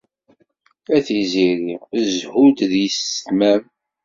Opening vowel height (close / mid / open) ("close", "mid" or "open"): open